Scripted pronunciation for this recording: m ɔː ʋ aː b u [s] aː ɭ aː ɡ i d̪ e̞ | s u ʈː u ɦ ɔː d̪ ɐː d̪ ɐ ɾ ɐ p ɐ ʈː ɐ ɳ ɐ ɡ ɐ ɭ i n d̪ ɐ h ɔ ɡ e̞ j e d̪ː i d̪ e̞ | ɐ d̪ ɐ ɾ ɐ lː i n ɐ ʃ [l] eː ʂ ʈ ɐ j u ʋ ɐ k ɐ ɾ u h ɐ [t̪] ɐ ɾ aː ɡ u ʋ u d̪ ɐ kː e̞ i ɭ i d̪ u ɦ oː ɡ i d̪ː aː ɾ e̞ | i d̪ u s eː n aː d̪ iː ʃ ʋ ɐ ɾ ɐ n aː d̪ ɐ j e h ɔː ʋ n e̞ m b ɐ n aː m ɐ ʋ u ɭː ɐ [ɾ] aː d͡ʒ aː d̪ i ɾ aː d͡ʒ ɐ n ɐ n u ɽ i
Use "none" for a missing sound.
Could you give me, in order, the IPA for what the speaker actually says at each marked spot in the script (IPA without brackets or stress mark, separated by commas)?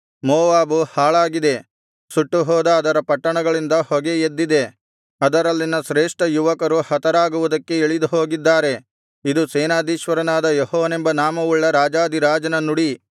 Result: h, ɾ, t̪, ɾ